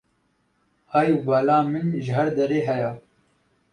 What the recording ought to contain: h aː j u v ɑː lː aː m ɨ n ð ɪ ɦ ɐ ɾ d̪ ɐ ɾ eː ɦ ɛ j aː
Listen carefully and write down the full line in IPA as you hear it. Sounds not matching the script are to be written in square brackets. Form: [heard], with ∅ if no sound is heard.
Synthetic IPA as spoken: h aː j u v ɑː [l] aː m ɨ n [ʒ] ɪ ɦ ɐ ɾ d̪ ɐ ɾ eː ɦ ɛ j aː